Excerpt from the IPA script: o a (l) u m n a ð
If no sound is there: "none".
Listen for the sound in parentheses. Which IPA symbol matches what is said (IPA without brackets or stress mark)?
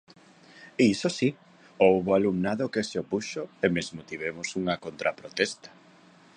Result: l